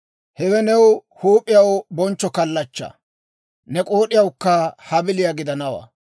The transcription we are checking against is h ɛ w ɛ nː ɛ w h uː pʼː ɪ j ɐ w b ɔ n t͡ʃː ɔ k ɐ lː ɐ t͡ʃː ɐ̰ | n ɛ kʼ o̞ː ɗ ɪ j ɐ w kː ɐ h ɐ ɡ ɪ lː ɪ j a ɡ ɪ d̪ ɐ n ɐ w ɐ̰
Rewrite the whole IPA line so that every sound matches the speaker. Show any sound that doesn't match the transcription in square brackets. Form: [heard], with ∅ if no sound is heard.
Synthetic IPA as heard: h ɛ w ɛ [n] ɛ w h uː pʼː ɪ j ɐ w b ɔ n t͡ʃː ɔ k ɐ lː ɐ t͡ʃː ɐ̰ | n ɛ kʼ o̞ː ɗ ɪ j ɐ w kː ɐ h ɐ [b] ɪ [l] ɪ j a ɡ ɪ d̪ ɐ n ɐ w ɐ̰